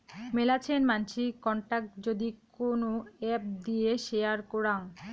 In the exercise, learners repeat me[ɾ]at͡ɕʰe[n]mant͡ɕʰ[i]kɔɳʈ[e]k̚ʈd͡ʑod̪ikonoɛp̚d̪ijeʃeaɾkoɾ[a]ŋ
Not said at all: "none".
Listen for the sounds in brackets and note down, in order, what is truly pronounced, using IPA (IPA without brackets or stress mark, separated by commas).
l, n, i, a, a